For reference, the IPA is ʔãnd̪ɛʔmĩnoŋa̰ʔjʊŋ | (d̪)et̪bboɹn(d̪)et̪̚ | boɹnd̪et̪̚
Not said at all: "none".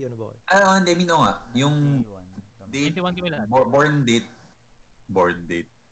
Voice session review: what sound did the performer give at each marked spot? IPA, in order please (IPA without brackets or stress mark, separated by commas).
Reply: d̪, d̪